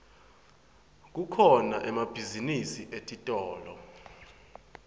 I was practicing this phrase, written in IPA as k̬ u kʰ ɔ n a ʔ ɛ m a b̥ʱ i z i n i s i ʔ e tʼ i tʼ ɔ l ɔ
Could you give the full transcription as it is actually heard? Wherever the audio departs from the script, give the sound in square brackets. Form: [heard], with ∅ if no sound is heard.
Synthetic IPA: k̬ u kʰ ɔ n a ʔ ɛ m a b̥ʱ i z i n i s i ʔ e tʼ i tʼ [ɔː] l ɔ

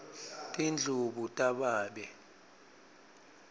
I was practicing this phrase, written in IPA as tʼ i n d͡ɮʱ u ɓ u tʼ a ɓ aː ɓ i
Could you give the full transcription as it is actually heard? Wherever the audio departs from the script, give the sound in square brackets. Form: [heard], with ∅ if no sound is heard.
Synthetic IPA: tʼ i n d͡ɮʱ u ɓ u tʼ a ɓ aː ɓ [ɛ]

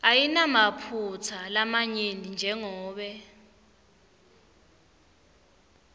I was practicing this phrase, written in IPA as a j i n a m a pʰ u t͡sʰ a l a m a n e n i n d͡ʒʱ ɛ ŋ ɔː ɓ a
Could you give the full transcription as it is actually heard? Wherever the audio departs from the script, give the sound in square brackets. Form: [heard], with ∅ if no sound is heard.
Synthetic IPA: a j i n a m a pʰ u t͡sʰ a l a m a [ɲ] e n i n d͡ʒʱ ɛ ŋ ɔː ɓ [ɛ]

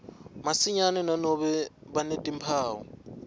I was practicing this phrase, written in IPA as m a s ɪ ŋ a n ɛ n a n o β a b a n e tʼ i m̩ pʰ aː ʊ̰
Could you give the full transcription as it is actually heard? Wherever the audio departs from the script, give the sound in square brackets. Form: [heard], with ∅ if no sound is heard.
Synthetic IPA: m a s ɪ [ɲ] a n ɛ n a n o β [ɛ] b a n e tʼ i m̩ pʰ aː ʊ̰

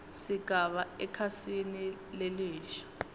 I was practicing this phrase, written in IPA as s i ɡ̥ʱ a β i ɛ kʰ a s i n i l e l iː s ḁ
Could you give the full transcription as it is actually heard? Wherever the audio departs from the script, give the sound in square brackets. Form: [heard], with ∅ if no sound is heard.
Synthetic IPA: s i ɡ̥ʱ a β [a] ɛ kʰ a s i n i l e l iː [ʃ] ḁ

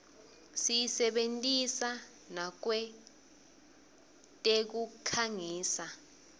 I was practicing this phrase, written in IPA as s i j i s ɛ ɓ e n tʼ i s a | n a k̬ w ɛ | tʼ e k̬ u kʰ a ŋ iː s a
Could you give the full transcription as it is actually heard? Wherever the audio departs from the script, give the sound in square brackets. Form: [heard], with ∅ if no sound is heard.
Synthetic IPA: s i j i s ɛ ɓ e n tʼ i s a | n a k̬ w ɛ | tʼ e k̬ u kʰ a ŋ iː s a

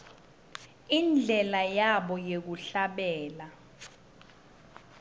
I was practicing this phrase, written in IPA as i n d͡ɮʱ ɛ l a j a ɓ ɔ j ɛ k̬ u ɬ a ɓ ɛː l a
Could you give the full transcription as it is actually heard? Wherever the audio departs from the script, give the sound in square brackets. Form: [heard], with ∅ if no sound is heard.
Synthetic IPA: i n d͡ɮʱ ɛ l a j a ɓ ɔ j [e] k̬ u ɬ a ɓ ɛː l a

